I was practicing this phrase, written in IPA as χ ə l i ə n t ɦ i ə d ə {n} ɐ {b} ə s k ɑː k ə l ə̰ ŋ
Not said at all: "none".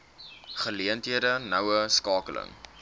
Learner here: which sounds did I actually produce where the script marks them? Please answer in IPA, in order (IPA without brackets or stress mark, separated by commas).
n, w